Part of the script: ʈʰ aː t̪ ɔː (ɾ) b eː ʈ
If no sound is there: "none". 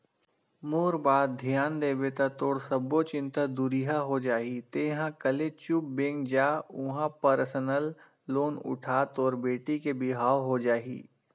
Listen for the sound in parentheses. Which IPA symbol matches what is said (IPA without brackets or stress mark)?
ɾ